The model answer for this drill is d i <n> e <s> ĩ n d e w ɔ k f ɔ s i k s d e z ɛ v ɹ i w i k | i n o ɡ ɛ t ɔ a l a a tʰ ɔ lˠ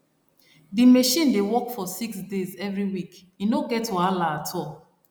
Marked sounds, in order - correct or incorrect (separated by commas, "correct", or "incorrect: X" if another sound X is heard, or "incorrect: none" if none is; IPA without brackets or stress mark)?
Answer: incorrect: m, incorrect: ʃ